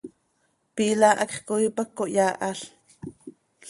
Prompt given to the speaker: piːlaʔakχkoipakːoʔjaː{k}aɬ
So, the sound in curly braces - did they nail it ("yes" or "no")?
no